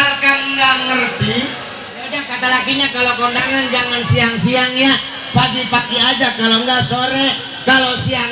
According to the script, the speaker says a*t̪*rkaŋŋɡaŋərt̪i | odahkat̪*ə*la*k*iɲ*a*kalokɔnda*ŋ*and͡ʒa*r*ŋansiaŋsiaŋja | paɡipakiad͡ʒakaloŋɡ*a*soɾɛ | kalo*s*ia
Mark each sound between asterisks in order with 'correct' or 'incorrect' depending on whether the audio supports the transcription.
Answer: incorrect: none, incorrect: a, correct, correct, correct, incorrect: none, correct, correct

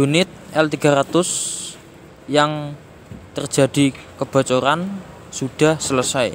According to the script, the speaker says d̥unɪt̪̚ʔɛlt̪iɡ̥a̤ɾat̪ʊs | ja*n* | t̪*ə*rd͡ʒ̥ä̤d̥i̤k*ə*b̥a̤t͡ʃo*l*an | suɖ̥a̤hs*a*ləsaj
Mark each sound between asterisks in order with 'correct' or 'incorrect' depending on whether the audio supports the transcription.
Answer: incorrect: ŋ, correct, correct, incorrect: ɾ, incorrect: ə

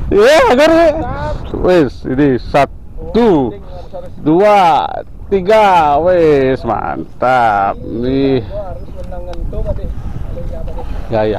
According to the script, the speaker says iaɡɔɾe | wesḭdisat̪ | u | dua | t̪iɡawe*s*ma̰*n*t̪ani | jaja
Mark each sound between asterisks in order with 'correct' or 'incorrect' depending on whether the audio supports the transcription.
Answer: correct, correct

